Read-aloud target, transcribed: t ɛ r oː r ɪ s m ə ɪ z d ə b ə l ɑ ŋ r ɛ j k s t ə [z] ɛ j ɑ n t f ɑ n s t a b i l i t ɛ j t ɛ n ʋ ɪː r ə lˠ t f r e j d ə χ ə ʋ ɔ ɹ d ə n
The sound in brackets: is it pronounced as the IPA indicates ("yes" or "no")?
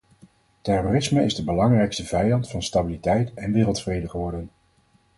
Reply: no